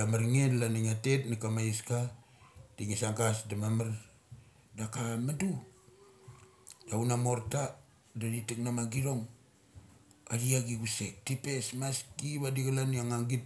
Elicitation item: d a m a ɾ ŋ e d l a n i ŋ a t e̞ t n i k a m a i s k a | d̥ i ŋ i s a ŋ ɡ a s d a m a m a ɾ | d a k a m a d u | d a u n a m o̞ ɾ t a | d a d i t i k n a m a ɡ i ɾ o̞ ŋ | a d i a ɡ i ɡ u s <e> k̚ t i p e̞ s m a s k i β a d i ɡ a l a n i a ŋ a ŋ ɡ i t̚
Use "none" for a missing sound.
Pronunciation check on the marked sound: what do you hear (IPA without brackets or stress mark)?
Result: e